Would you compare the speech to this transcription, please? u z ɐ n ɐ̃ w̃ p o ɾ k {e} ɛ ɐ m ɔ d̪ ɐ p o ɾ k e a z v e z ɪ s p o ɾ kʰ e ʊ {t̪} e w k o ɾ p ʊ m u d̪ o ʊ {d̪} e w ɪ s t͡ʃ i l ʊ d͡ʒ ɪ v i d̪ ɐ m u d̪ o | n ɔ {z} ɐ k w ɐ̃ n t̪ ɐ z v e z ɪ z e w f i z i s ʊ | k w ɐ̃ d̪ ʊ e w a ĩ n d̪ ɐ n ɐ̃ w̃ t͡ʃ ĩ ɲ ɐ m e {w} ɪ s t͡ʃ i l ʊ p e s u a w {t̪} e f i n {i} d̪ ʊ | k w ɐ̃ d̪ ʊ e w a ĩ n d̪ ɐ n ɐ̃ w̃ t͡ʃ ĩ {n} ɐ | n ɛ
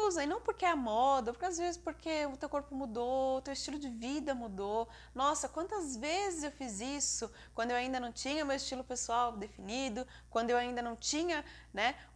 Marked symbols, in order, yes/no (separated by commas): yes, yes, no, no, yes, no, yes, no